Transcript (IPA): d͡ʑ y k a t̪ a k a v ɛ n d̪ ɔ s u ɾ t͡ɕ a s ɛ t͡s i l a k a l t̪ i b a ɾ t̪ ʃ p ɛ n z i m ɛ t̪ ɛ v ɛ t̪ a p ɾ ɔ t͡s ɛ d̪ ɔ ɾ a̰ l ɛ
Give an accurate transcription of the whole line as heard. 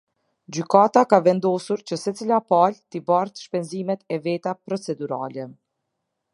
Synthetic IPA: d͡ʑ y k a t̪ a k a v ɛ n d̪ ɔ s u ɾ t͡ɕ ə s ɛ t͡s i l a p a l t̪ i b a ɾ t̪ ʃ p ɛ n z i m ɛ t̪ ɛ v ɛ t̪ a p ɾ ɔ t͡s ɛ d̪ u ɾ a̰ l ɛ